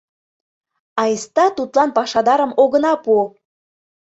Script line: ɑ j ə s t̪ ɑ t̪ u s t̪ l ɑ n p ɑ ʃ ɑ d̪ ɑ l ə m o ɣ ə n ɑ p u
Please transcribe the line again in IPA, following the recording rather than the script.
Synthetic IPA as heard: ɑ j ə s t̪ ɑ t̪ u t̪ l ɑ n p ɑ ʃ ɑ d̪ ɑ ɾ ə m o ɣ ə n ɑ p u